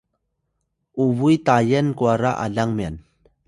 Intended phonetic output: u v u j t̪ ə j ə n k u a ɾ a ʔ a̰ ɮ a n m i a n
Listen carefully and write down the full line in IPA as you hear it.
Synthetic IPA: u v u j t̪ a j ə n k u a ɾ a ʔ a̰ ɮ a ŋ m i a n